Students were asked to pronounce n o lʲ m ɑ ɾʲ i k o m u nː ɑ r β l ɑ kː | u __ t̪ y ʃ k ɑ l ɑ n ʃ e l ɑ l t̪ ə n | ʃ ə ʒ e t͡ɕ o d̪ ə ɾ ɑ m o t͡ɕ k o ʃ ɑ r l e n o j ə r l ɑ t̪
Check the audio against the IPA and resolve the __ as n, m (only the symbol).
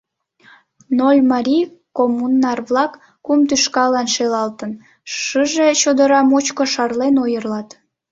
m